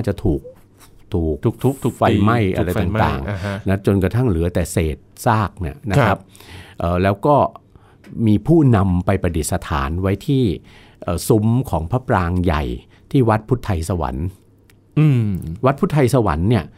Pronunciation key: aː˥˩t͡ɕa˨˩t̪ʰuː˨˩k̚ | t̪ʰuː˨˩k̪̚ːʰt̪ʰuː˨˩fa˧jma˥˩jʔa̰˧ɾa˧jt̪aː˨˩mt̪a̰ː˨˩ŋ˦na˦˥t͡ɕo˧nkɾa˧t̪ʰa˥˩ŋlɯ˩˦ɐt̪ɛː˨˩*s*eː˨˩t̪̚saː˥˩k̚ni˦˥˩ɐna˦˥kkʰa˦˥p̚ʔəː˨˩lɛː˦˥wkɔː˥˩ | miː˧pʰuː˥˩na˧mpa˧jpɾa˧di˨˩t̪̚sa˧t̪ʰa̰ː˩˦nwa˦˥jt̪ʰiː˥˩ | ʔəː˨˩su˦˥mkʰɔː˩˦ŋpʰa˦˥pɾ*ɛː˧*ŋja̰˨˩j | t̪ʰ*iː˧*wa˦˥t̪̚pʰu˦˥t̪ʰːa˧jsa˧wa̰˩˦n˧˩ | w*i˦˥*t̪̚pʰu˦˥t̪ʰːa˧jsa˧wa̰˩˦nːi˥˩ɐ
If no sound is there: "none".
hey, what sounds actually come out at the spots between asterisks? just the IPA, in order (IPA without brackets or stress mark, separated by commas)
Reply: s, aː˧, iː˥˩, a˦˥